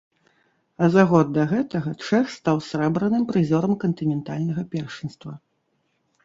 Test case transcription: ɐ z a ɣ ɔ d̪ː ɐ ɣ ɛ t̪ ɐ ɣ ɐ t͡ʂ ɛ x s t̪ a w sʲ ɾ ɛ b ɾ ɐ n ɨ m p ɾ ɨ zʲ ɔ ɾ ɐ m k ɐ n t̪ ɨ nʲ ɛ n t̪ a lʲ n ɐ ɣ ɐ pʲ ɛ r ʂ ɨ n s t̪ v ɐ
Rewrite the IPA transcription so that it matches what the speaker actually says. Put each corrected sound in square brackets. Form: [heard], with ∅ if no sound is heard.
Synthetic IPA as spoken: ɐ z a ɣ ɔ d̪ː ɐ ɣ ɛ t̪ ɐ ɣ ɐ t͡ʂ ɛ x s t̪ a w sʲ ɾ ɛ b ɾ ɐ n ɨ m p ɾ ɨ zʲ ɔ ɾ ɐ m k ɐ n t̪ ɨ nʲ ɛ n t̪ a lʲ n ɐ ɣ ɐ pʲ ɛ r ʂ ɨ n s t̪ v ɐ